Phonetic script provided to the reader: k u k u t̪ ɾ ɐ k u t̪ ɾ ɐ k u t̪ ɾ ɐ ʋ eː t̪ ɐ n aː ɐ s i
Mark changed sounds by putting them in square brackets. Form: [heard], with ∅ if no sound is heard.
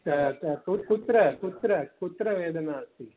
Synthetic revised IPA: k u k u t̪ ɾ ɐ k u t̪ ɾ ɐ k u t̪ ɾ ɐ ʋ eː [d̪] ɐ n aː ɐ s i